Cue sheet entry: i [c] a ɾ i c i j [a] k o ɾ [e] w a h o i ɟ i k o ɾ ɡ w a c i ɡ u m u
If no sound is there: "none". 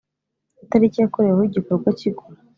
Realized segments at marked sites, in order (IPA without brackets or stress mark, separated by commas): t, a, e